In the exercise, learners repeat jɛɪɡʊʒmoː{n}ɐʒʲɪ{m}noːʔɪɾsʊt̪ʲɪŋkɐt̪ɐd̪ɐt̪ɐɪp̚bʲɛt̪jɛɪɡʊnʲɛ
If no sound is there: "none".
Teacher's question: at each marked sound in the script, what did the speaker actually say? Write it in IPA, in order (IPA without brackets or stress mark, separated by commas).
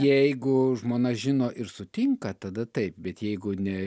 n, none